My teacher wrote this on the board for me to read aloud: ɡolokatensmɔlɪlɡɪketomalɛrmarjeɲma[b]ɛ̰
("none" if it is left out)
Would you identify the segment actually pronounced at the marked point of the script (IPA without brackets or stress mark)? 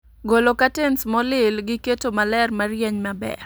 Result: b